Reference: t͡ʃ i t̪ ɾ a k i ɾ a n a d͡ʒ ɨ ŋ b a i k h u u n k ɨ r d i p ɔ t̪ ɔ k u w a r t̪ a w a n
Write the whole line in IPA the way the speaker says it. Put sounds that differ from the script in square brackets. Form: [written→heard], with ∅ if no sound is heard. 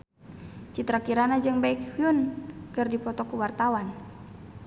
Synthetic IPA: t͡ʃ i t̪ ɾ a k i ɾ a n a d͡ʒ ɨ ŋ b a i k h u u n k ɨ r d i p ɔ t̪ ɔ k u w a r t̪ a w a n